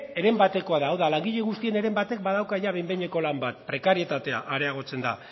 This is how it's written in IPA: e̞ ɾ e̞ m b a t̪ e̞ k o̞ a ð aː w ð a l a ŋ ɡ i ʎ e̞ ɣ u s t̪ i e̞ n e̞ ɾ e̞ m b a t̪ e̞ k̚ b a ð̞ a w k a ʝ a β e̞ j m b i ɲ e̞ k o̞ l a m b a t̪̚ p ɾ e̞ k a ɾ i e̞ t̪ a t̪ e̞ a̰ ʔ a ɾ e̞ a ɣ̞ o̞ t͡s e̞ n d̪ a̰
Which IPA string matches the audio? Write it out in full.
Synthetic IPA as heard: e̞ ɾ e̞ m b a t̪ e̞ k o̞ a ð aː w ð a l a ŋ ɡ i ʎ e̞ ɣ u s t̪ i e̞ n e̞ ɾ e̞ m b a t̪ e̞ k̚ b a ð̞ a w k a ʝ a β e̞ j m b e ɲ e̞ k o̞ l a m b a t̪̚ p ɾ e̞ k a ɾ i e̞ t̪ a t̪ e̞ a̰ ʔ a ɾ e̞ a ɣ̞ o̞ t͡s e̞ n d̪ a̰